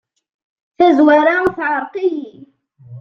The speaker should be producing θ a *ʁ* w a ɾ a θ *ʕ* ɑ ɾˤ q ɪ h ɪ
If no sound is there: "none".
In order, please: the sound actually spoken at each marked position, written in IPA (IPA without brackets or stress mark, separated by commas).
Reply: z, ʕ